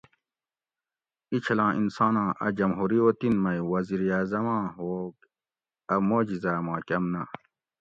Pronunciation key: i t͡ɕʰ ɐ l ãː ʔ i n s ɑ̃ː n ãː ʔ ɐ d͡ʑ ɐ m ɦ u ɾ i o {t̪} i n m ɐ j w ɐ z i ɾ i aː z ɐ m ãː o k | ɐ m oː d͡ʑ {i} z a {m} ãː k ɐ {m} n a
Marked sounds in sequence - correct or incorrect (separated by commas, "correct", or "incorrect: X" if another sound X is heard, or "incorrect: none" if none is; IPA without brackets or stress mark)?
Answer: correct, correct, correct, correct